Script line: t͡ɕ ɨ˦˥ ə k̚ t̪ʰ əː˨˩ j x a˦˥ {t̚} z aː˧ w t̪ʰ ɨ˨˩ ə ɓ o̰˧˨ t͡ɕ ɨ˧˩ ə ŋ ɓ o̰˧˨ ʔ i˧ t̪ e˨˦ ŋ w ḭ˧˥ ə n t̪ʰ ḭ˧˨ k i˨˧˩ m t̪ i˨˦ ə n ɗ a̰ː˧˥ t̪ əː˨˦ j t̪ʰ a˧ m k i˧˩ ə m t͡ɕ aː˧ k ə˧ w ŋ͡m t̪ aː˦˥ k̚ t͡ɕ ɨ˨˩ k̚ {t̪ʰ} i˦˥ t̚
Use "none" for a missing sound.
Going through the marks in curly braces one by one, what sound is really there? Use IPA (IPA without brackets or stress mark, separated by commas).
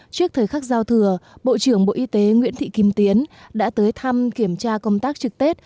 k̚, t̪